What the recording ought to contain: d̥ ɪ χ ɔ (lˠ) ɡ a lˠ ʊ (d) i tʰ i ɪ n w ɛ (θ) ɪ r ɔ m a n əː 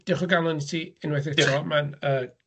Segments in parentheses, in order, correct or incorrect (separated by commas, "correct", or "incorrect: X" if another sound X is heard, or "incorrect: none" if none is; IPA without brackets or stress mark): incorrect: none, incorrect: n, correct